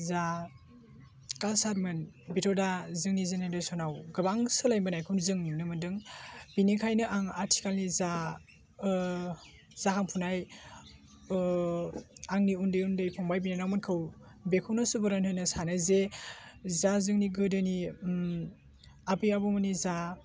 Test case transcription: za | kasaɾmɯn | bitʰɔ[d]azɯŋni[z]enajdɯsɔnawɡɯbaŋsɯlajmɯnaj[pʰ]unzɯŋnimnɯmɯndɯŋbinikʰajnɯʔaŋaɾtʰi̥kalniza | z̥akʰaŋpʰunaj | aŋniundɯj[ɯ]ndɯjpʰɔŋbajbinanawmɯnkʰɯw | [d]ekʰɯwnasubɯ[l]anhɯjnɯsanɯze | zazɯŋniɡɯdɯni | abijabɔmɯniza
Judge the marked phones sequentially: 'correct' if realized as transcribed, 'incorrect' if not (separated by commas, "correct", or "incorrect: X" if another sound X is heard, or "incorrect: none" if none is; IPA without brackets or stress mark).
correct, correct, incorrect: kʰ, incorrect: u, incorrect: b, incorrect: ɾ